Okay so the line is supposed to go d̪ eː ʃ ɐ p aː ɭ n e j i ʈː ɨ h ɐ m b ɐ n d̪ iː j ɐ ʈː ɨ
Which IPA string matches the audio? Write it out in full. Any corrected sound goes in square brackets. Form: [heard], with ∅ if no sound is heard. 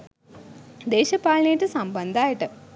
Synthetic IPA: d̪ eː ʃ ɐ p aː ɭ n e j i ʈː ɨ [s] ɐ m b ɐ n d̪ [aː] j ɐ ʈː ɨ